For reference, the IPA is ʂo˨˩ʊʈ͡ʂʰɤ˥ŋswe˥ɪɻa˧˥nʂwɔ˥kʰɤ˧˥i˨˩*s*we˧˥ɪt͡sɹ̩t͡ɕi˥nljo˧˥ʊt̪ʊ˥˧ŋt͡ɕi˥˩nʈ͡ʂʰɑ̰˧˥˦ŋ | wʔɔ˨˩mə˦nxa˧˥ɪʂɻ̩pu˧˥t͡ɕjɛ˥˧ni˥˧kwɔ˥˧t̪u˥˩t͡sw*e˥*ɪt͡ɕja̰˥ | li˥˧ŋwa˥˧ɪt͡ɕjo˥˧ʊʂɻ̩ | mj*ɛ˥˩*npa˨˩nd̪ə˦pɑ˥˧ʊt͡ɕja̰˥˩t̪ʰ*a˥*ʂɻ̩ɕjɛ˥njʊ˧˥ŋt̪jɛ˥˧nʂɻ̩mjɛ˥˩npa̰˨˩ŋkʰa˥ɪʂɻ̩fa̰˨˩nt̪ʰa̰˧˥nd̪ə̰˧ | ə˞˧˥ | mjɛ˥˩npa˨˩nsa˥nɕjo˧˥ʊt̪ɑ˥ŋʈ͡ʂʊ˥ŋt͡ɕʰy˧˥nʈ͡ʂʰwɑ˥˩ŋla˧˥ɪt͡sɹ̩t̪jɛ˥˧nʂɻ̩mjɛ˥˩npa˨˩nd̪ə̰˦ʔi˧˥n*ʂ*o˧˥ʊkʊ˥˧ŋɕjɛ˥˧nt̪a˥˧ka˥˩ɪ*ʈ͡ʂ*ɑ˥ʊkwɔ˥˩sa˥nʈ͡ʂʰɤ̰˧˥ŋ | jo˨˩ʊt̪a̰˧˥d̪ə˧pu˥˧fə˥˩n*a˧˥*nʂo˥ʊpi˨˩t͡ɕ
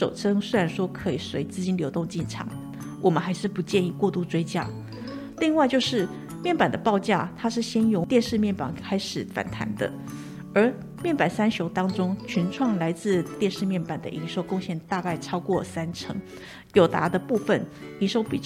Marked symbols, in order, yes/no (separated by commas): yes, yes, yes, yes, yes, no, no